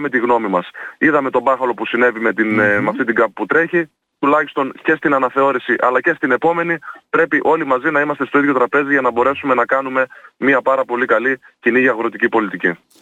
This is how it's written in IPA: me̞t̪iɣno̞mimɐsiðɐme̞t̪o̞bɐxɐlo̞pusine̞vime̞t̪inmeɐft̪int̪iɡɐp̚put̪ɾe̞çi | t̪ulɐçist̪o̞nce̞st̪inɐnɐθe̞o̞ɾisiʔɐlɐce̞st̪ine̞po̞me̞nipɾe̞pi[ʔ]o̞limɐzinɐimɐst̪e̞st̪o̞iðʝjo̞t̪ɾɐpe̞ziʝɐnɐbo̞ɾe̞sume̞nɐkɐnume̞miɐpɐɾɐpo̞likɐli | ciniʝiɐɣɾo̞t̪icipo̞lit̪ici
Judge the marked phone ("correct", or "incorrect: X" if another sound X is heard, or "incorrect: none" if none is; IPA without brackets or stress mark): correct